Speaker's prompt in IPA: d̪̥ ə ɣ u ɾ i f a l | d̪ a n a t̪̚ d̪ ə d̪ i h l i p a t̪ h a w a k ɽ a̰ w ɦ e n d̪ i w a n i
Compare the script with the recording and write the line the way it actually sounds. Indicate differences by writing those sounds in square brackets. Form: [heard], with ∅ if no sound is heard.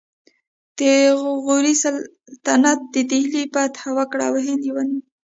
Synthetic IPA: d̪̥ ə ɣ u ɾ i [s] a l | [t̪] a n a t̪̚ d̪ ə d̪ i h l i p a t̪ h a w a k ɽ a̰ w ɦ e n d̪ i w a n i